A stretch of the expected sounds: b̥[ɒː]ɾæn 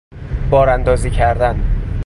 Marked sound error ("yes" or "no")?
no